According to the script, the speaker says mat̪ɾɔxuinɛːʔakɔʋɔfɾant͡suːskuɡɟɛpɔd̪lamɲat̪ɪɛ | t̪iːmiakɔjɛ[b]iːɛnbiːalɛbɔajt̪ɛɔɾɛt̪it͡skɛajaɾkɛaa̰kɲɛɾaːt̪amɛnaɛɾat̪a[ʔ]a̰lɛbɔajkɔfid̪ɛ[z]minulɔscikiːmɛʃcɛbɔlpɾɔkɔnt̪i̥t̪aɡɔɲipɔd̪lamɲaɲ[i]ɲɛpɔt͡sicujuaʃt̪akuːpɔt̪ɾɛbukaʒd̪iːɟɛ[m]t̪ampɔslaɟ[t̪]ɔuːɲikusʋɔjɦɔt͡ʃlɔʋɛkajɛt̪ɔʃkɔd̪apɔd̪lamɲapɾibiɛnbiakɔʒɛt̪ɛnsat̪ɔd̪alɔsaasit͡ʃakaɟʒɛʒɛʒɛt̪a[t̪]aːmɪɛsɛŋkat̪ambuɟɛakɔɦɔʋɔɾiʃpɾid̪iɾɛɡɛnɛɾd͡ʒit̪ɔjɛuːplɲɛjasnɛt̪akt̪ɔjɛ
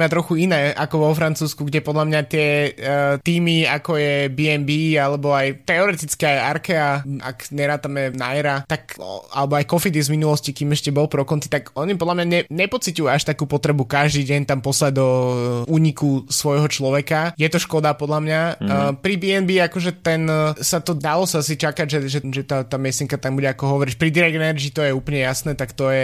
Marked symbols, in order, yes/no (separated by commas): yes, no, yes, no, no, no, yes